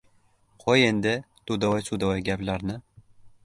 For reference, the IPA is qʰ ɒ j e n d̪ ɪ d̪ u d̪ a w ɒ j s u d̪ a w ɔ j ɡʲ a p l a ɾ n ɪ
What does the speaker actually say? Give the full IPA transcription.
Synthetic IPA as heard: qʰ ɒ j e n d̪ ɪ t̪ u d̪ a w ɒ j s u d̪ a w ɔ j ɡʲ a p l a ɾ n ɪ